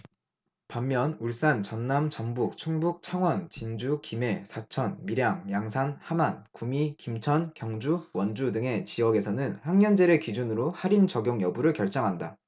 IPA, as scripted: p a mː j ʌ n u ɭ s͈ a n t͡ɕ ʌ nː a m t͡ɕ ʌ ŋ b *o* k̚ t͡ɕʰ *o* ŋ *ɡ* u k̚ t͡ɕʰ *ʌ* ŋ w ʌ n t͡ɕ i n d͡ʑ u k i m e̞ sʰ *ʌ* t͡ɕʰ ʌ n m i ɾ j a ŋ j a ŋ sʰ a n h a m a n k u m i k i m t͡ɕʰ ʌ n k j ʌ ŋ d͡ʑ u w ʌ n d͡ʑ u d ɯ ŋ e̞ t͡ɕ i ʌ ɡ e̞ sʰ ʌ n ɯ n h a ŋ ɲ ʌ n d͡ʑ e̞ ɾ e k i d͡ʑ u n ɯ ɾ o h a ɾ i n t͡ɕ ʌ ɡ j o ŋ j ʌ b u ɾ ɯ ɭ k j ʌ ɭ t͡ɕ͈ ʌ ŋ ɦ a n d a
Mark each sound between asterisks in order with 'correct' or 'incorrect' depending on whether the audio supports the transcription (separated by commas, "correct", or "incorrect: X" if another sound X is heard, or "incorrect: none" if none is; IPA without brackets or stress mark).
incorrect: u, incorrect: u, incorrect: b, incorrect: a, incorrect: a